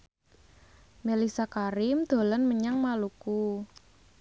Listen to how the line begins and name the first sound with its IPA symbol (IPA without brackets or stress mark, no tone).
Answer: m